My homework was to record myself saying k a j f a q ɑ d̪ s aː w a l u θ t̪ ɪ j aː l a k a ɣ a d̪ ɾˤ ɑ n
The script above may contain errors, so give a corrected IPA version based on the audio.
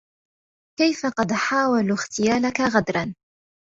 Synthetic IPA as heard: k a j f a q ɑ d̪ ħ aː w a l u x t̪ ɪ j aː l a k a ɣ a d̪ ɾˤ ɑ n